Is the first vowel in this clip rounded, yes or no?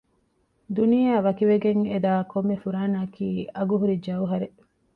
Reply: yes